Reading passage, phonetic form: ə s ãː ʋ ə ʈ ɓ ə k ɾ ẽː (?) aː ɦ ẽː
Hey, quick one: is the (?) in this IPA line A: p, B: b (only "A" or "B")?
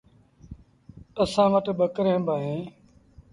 B